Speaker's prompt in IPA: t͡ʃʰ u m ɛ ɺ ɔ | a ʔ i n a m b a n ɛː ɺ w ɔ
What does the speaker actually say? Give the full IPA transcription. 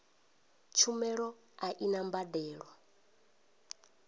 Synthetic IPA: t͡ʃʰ u m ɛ ɺ ɔ | a ʔ i n a m b a d ɛː ɺ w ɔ